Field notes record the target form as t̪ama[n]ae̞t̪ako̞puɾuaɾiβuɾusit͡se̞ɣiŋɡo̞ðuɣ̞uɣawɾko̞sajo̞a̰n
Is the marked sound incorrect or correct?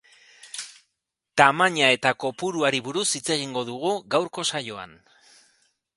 incorrect